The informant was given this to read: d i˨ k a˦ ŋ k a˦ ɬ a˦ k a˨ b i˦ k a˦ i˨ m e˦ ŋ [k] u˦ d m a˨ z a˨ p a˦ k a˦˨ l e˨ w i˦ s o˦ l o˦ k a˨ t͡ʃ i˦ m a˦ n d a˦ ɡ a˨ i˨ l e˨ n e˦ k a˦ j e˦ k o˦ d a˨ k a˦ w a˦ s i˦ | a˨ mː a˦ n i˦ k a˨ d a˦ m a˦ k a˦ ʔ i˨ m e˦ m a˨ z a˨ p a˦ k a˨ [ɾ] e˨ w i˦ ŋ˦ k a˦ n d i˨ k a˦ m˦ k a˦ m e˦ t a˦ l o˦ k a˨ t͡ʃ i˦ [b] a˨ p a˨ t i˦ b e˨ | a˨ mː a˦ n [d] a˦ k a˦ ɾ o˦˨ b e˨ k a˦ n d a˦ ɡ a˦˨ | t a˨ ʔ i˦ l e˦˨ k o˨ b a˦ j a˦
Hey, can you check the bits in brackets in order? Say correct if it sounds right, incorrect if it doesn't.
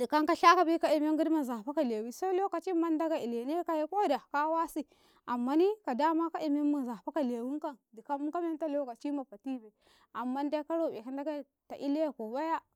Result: incorrect: ɡ, incorrect: l, incorrect: m, correct

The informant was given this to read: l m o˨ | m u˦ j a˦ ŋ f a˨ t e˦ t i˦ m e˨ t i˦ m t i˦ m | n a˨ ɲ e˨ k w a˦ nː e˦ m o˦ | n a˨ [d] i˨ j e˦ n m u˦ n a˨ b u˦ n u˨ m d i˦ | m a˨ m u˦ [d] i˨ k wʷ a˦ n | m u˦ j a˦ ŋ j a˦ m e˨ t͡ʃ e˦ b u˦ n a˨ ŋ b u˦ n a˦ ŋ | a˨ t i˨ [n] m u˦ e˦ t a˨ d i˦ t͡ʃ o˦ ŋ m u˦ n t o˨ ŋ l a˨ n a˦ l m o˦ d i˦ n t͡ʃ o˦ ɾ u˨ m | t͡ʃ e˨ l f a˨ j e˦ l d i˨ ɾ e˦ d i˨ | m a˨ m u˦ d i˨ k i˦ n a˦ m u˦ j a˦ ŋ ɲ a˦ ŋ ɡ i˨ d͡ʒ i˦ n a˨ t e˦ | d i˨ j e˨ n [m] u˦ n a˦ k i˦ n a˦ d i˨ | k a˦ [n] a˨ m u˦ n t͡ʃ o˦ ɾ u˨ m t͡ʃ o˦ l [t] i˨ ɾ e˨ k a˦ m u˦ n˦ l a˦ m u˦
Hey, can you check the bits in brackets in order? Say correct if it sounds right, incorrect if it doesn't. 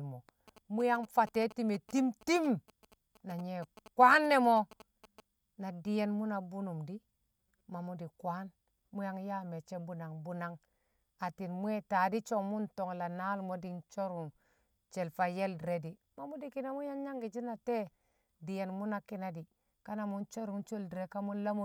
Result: correct, correct, correct, correct, correct, incorrect: d

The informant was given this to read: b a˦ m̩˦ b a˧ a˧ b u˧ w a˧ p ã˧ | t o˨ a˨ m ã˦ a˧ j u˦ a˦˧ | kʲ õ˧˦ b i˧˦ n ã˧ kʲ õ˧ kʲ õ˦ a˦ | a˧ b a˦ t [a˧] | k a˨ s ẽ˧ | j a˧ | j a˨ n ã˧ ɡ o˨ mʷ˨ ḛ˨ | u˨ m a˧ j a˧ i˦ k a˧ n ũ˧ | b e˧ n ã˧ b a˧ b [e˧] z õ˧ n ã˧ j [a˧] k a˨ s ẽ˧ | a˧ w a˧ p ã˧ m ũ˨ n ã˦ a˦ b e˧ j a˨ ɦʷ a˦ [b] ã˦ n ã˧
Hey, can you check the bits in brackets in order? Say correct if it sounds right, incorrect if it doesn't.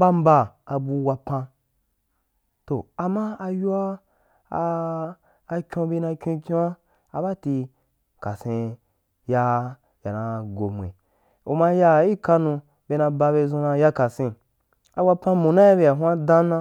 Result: incorrect: i˧, correct, correct, incorrect: d

